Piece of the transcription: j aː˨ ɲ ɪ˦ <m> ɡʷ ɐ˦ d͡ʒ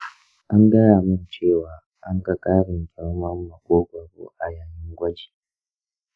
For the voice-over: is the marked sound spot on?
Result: no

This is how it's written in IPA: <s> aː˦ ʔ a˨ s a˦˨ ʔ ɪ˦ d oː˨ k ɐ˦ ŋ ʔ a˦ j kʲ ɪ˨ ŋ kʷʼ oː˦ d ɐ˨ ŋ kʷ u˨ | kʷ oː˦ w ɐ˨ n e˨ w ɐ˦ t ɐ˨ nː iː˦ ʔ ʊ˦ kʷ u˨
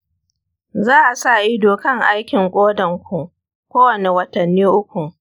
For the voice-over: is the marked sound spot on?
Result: no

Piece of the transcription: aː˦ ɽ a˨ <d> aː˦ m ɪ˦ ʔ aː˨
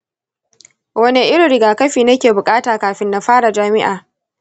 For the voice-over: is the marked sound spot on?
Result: no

